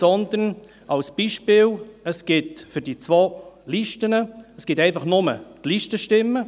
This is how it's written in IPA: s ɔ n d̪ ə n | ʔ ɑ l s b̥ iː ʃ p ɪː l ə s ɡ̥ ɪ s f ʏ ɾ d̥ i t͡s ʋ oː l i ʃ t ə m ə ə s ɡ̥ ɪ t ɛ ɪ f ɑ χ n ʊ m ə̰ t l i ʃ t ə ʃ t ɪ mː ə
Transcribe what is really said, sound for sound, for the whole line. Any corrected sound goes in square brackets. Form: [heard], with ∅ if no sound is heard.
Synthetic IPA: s ɔ n d̪ ə n | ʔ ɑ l s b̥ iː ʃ p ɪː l ə s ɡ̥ ɪ [t] f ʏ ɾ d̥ i t͡s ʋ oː l i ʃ t ə [n] ə ə s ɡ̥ ɪ t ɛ ɪ f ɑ χ n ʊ m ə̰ t l i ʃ t ə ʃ t ɪ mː ə